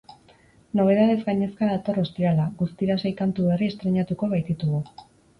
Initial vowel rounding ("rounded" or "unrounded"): rounded